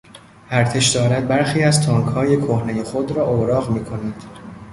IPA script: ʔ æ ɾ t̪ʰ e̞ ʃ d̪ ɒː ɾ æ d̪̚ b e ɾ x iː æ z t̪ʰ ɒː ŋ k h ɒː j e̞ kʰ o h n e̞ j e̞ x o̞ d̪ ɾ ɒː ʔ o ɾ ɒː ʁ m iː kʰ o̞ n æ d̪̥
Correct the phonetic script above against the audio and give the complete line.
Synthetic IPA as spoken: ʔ æ ɾ t̪ʰ e̞ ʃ d̪ ɒː ɾ æ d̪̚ b æ ɾ x iː æ z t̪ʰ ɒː ŋ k h ɒː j e̞ kʰ o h n e̞ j e̞ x o̞ d̪ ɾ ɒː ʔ o ɾ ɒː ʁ m iː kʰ o̞ n æ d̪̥

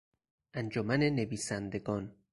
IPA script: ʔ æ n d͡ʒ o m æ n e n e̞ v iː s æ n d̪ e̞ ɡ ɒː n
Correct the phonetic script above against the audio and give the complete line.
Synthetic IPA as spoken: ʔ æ n d͡ʒ o m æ n e n e̞ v iː s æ n d̪ e̞ ɡ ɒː n

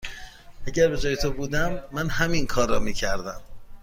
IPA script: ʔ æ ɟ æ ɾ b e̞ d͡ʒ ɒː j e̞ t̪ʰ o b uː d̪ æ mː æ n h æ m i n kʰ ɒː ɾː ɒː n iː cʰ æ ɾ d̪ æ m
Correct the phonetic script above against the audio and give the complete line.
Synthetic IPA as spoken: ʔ æ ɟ æ ɾ b e̞ d͡ʒ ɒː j e̞ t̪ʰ o b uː d̪ æ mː æ n h æ m i n kʰ ɒː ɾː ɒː m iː cʰ æ ɾ d̪ æ m

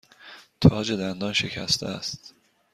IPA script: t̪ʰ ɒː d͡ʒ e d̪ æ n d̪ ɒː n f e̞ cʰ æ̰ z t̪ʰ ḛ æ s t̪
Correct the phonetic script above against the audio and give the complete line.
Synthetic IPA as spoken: t̪ʰ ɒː d͡ʒ e d̪ æ n d̪ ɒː n ʃ e̞ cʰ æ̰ s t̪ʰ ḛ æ s t̪

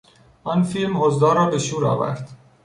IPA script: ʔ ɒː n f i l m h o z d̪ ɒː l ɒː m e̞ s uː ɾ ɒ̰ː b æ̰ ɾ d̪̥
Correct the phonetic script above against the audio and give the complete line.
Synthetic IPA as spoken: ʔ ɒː n f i l m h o z d̪ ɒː ɾ ɒː b e̞ ʃ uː ɾ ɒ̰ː v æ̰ ɾ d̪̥

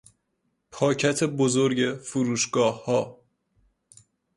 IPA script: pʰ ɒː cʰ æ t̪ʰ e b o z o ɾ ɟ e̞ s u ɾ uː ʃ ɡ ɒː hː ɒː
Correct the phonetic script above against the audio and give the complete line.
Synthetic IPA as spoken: pʰ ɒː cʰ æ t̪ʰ e b o z o ɾ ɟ e̞ f u ɾ uː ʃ ɡ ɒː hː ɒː

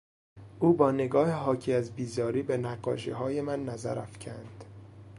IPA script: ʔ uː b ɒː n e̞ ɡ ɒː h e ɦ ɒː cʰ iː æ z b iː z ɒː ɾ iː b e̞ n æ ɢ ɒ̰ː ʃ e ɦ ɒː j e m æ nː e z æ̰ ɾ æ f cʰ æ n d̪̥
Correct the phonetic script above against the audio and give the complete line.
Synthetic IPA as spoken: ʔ uː b ɒː n e̞ ɡ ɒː h e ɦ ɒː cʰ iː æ z b iː z ɒː ɾ iː b e̞ n æ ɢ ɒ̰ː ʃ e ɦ ɒː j e m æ nː æ z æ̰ ɾ æ f cʰ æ n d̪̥

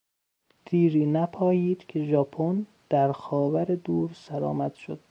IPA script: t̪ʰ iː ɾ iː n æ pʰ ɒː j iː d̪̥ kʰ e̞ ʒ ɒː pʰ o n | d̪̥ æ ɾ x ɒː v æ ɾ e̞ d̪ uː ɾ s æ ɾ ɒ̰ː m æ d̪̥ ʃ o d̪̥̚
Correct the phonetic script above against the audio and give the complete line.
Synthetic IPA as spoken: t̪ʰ iː ɾ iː n æ pʰ ɒː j iː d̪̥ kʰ e̞ ʒ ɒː pʰ o n | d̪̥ æ ɾ x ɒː v æ ɾ e̞ d̪ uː ɾ s æ ɾ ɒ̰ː m æ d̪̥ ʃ o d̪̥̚

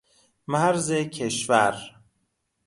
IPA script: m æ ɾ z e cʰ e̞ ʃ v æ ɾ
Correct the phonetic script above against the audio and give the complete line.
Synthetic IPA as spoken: m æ ɾ z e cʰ e̞ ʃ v æ ɾ

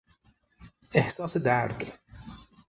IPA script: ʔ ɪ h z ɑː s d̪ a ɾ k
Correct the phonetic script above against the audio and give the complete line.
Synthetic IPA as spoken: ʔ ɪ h s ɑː s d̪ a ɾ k

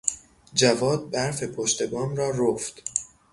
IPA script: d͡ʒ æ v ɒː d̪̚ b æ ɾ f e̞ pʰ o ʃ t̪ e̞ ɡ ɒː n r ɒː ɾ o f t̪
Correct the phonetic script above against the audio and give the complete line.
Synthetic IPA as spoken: d͡ʒ æ v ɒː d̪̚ b æ ɾ f e̞ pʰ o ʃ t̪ e̞ b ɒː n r ɒː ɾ o f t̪

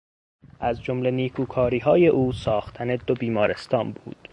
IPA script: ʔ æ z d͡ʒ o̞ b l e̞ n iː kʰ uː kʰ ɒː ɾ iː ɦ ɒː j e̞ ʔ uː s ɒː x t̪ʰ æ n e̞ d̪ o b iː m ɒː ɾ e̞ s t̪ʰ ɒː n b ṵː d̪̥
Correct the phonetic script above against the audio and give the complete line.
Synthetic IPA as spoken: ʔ æ z d͡ʒ o̞ m l e̞ n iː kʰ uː kʰ ɒː ɾ iː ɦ ɒː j e̞ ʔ uː s ɒː x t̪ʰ æ n e̞ d̪ o b iː m ɒː ɾ e̞ s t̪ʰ ɒː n b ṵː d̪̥

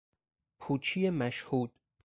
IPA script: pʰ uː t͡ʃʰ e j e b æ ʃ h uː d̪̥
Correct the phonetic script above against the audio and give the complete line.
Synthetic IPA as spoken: pʰ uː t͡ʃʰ i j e m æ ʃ h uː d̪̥

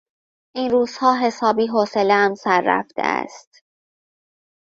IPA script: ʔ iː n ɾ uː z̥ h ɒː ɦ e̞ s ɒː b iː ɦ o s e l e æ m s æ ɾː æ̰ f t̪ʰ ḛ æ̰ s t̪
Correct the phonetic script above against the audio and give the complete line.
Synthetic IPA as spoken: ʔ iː n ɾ uː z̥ h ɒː ɦ e̞ s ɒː b iː ɦ o s e l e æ m s æ ɾː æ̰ f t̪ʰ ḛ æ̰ s t̪

